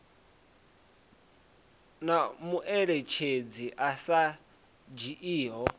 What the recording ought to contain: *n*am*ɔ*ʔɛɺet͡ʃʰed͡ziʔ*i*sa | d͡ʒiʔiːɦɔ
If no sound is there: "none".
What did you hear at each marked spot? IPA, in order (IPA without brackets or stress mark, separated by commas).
n, u, a